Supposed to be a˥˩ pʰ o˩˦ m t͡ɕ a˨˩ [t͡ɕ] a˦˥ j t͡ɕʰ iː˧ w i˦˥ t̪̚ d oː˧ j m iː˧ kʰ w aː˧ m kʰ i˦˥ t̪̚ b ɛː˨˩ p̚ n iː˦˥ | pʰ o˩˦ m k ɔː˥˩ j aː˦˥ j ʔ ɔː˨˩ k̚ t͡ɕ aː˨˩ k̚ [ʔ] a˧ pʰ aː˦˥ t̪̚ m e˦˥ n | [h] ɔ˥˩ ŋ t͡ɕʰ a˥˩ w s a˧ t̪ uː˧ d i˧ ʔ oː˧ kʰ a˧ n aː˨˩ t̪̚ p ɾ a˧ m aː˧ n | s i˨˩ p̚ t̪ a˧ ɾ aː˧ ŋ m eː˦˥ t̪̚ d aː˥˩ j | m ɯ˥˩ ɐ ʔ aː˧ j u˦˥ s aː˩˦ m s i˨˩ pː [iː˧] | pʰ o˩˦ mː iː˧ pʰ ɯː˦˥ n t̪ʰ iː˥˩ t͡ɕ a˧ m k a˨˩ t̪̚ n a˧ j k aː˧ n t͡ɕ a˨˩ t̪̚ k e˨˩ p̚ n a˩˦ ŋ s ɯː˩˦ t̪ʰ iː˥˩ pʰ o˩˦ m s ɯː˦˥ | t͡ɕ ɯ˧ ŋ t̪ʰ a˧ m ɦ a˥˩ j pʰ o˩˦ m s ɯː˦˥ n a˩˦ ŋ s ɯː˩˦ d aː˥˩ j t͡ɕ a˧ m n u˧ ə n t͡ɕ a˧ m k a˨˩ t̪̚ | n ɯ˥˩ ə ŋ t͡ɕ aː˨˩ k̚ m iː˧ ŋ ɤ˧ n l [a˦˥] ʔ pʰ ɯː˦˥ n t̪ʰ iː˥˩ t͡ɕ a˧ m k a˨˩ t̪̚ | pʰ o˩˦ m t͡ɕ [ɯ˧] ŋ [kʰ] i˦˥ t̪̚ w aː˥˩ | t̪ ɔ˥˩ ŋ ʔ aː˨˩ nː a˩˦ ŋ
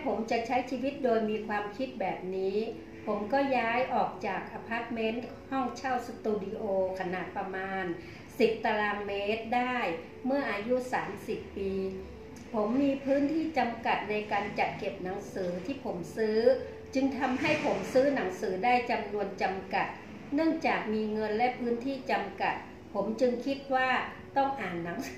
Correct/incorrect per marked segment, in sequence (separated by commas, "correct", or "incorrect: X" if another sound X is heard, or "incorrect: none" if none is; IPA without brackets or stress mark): incorrect: t͡ɕʰ, correct, correct, correct, incorrect: ɛ˦˥, correct, correct